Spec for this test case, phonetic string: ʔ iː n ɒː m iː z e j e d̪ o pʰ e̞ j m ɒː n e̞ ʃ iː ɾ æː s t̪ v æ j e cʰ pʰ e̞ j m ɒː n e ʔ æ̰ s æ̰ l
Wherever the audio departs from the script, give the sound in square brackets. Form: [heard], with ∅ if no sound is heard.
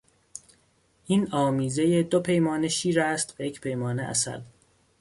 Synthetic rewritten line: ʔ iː n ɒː m iː z e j e d̪ o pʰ e̞ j m ɒː n e̞ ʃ iː ɾ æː s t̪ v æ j e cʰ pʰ e̞ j m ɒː n e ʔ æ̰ s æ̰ l